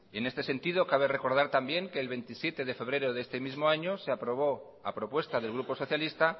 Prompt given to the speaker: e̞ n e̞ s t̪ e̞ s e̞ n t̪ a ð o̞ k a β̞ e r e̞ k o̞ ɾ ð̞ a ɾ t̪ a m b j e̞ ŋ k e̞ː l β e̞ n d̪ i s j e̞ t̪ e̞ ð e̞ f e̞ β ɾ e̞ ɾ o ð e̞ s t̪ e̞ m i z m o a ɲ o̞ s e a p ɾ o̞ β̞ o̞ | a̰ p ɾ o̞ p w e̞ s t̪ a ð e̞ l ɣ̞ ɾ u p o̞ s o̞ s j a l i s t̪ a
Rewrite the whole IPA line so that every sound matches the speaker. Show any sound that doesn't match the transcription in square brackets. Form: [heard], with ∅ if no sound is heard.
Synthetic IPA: e̞ n e̞ s t̪ e̞ s e̞ n t̪ [i] ð o̞ k a β̞ e r e̞ k o̞ ɾ ð̞ a ɾ t̪ a m b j e̞ ŋ k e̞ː l β e̞ n [t̪] i s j e̞ t̪ e̞ ð e̞ f e̞ β ɾ e̞ ɾ o ð e̞ s t̪ e̞ m i z m o a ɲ o̞ s e a p ɾ o̞ β̞ o̞ | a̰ p ɾ o̞ p w e̞ s t̪ a ð e̞ l ɣ̞ ɾ u p o̞ s o̞ [θ] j a l i s t̪ a